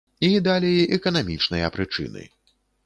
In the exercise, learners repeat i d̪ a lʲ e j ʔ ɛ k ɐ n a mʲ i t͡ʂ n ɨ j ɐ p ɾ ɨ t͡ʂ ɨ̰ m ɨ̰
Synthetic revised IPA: i d̪ a lʲ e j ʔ ɛ k ɐ n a mʲ i t͡ʂ n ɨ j ɐ p ɾ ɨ t͡ʂ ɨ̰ n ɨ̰